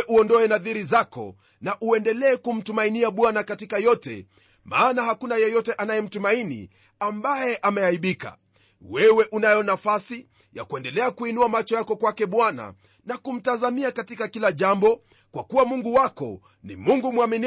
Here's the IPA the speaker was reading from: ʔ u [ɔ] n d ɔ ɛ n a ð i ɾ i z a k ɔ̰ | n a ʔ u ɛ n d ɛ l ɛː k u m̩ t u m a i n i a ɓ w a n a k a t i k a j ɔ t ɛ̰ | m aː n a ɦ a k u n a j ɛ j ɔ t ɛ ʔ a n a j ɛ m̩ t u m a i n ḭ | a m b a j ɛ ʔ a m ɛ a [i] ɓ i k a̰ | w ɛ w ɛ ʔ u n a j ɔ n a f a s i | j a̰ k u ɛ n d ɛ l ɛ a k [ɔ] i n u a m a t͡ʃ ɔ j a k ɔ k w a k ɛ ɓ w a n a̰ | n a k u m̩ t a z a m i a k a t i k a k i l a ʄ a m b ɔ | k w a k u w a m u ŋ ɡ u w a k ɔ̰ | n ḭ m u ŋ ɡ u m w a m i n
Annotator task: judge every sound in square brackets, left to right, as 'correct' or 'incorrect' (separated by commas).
correct, correct, incorrect